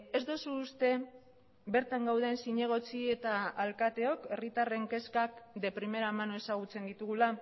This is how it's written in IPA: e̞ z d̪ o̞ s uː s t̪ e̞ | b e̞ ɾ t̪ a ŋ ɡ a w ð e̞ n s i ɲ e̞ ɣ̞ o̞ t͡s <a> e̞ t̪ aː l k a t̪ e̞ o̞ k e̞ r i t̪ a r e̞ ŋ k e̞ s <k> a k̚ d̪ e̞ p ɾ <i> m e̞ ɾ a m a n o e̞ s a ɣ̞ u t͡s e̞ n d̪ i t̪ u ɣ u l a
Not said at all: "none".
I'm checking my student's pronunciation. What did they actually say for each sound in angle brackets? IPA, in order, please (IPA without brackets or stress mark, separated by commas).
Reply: i, k, i